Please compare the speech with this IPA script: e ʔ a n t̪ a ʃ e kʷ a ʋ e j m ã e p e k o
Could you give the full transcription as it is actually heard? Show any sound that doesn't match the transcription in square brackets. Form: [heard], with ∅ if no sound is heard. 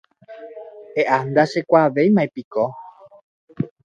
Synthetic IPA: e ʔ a n [d̪] a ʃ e kʷ a ʋ e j m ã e p [i] k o